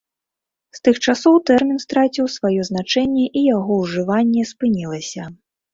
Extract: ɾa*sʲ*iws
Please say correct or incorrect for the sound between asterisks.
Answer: incorrect